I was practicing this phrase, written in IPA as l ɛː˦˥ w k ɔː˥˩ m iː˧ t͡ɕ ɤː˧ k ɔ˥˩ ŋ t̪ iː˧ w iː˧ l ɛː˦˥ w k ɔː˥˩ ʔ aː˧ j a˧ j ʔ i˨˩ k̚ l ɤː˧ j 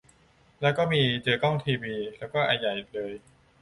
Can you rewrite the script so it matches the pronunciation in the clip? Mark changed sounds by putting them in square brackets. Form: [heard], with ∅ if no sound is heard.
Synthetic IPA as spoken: l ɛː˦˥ w k ɔː˥˩ m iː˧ t͡ɕ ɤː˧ k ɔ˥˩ ŋ [t̪ʰ] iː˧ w iː˧ l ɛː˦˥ w k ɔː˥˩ ʔ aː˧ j [a˨˩] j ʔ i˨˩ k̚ l ɤː˧ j

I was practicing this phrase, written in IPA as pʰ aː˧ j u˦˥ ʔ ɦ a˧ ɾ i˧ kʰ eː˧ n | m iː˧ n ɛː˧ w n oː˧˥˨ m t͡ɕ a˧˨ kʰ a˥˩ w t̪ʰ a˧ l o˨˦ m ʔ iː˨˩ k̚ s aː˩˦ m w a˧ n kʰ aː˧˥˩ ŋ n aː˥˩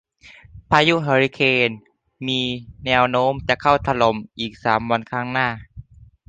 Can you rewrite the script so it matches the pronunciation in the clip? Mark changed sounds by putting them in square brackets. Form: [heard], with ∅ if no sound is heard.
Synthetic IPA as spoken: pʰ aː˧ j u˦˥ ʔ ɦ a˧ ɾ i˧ kʰ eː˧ n | m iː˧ n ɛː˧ w n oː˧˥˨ m t͡ɕ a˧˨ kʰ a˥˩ w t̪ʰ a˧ l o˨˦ m ʔ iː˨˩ k̚ s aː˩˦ m w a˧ n kʰ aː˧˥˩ ŋ n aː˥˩

